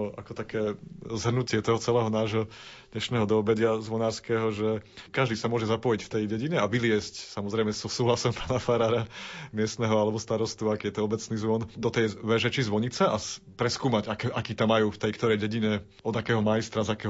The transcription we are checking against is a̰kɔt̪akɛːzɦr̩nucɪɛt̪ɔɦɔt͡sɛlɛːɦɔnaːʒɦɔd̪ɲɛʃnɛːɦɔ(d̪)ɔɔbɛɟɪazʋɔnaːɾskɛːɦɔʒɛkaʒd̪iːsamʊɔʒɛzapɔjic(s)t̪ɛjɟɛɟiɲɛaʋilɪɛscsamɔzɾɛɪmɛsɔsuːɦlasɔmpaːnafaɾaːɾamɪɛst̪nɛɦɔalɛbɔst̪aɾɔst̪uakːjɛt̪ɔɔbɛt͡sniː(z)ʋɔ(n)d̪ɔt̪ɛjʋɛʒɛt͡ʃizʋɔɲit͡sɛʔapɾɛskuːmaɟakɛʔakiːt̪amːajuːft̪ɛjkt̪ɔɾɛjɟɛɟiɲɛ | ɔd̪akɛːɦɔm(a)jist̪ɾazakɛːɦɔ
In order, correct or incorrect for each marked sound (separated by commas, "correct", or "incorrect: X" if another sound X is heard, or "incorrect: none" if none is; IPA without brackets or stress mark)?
correct, incorrect: f, correct, correct, correct